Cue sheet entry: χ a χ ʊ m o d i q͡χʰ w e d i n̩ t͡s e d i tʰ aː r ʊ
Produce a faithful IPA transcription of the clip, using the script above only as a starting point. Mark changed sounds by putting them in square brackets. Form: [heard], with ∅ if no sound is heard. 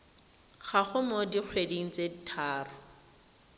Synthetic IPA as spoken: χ a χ ʊ m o d i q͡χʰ w e d i [ŋ̩] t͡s e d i tʰ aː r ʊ

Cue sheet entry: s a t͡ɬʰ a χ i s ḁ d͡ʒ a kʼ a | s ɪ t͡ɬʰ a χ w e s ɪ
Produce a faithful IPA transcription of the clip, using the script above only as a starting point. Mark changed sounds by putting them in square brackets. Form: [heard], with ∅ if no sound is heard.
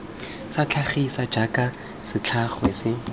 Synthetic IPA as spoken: s a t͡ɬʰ a χ i s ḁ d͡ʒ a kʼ a | s ɪ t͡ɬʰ a χ w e s ɪ

